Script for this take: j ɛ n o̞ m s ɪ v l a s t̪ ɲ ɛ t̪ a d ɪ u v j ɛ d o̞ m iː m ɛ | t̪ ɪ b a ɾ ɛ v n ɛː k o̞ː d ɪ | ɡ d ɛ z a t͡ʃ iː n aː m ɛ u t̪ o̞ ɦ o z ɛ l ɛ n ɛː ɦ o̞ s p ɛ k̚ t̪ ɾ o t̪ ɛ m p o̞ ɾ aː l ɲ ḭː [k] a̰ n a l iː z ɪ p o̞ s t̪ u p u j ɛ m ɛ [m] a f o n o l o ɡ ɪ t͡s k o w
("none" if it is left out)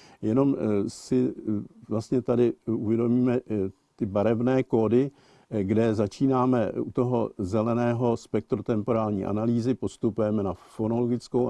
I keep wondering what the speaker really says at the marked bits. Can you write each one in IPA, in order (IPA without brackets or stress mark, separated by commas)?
ʔ, n